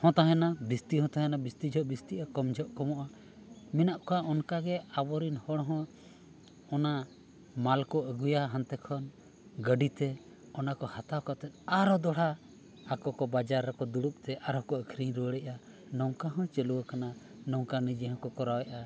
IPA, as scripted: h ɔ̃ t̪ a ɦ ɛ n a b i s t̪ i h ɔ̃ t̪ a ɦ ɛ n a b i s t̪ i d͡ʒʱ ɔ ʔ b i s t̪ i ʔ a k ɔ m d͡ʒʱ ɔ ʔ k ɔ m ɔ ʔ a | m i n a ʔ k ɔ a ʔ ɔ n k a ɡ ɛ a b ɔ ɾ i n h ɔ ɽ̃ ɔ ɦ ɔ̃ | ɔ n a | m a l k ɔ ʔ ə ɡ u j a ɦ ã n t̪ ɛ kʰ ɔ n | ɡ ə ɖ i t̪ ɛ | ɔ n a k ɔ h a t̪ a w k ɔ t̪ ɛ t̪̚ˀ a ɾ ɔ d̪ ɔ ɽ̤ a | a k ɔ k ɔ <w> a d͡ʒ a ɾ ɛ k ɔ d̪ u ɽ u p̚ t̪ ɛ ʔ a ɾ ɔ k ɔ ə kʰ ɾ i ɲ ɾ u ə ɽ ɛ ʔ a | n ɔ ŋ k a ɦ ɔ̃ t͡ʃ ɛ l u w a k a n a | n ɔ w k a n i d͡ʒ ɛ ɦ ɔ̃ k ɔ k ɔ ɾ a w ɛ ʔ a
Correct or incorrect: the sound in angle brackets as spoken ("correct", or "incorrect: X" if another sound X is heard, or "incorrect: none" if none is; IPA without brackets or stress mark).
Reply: incorrect: b